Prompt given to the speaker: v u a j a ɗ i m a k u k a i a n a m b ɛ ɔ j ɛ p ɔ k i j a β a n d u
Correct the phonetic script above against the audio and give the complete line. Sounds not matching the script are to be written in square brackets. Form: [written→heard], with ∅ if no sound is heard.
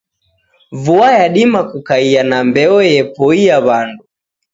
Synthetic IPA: v u a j a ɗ i m a k u k a i a n a m b ɛ ɔ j ɛ p ɔ [k→∅] i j a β a n d u